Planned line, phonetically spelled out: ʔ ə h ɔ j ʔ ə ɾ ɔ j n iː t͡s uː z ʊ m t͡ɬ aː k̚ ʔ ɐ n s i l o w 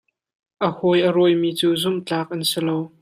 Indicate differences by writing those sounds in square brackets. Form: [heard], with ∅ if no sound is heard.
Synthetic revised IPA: ʔ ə h ɔ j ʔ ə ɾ ɔ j [m] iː t͡s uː z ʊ m t͡ɬ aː k̚ ʔ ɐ n s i l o w